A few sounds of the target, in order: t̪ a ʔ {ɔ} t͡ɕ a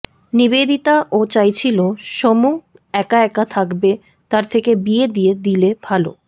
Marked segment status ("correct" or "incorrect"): incorrect